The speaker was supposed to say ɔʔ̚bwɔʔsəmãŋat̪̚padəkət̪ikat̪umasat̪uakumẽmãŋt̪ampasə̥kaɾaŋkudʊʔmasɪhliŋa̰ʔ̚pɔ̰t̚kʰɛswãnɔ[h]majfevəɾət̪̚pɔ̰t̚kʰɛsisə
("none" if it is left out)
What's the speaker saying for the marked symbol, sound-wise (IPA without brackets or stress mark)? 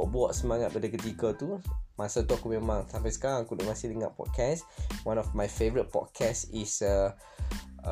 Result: f